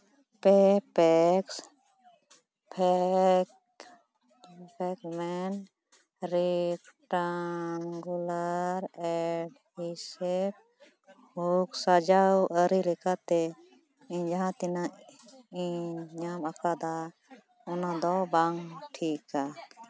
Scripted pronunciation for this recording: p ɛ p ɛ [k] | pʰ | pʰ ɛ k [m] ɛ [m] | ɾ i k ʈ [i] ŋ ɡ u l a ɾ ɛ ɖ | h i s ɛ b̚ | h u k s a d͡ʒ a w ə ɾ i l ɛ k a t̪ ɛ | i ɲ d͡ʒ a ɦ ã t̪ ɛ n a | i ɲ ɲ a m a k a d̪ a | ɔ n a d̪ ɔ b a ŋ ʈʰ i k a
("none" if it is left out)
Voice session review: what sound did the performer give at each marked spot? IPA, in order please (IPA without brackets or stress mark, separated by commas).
k, m, n, a